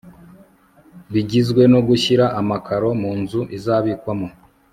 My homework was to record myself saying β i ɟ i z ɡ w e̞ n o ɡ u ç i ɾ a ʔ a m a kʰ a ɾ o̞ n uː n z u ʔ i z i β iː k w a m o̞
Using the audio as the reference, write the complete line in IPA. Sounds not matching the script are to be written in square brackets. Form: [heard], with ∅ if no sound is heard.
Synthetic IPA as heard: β i ɟ i z ɡ w e̞ n o ɡ u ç i ɾ a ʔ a m a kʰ a ɾ o̞ [m] uː n z u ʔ i z [a] β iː k w a m o̞